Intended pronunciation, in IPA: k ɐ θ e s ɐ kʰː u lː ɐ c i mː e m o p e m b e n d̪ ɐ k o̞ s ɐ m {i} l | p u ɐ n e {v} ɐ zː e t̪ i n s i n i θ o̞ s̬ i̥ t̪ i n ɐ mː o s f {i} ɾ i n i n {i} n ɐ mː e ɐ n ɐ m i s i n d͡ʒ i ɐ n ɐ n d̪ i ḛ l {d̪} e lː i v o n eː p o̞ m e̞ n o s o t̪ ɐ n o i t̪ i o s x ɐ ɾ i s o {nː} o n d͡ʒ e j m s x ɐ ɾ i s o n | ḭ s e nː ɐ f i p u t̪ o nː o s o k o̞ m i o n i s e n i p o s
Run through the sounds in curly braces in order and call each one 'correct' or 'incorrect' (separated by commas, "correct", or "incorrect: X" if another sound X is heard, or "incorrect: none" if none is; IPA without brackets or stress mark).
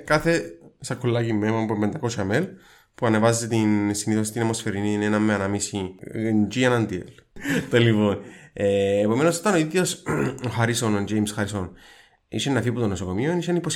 incorrect: e, correct, incorrect: e, incorrect: e, incorrect: t̪, incorrect: n